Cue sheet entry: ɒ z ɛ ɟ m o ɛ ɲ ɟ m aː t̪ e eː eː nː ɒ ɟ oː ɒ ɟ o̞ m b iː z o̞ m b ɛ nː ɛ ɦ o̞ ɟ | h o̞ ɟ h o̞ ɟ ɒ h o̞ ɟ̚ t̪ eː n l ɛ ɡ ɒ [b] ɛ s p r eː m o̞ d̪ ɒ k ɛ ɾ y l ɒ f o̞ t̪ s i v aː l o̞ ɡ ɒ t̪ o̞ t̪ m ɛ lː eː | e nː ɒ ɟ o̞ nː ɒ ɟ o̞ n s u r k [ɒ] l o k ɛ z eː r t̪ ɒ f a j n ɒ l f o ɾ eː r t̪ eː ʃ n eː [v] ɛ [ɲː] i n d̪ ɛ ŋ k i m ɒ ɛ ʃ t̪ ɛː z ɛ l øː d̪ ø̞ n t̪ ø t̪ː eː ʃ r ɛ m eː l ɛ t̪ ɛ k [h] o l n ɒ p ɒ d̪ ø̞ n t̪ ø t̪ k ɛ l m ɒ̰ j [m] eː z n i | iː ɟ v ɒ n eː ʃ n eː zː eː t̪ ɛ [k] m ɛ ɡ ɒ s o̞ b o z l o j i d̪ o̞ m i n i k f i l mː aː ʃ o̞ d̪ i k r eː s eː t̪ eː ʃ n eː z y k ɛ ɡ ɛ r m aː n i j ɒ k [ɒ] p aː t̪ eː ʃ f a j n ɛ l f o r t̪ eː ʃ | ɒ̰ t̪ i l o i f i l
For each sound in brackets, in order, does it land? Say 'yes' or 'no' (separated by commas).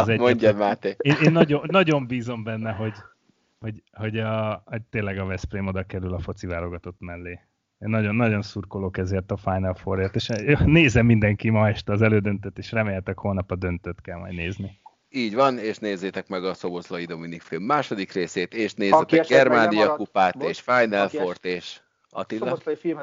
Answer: no, no, no, no, yes, no, yes, no